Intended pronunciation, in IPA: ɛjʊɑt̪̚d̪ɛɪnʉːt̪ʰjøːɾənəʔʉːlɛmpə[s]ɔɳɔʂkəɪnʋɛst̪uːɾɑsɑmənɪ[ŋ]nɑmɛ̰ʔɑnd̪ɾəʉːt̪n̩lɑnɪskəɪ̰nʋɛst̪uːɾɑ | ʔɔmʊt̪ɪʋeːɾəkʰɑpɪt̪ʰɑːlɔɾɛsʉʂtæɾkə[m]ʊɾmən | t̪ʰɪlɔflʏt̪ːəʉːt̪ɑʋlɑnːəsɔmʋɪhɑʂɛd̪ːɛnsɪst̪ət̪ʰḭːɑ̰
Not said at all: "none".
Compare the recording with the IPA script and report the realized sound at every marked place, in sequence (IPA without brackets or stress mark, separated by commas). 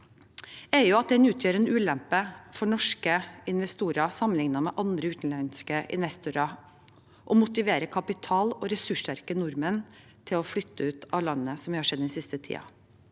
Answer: f, ŋ, n